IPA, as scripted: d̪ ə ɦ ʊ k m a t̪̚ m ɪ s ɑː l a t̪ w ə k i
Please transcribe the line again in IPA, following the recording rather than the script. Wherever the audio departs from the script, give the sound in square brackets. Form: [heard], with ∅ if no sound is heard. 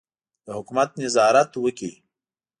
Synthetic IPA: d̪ ə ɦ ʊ k m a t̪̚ [n] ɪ [z] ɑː [ɾ] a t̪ w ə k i